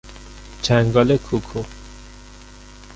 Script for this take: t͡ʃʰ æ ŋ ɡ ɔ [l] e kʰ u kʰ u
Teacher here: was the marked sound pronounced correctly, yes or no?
yes